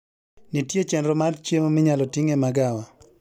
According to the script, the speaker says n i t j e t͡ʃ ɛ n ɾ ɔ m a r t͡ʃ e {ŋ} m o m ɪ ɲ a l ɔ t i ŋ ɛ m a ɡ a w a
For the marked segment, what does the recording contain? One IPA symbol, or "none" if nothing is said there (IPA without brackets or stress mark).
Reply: none